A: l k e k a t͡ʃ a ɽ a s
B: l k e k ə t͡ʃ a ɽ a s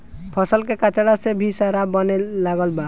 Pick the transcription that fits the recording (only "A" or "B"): A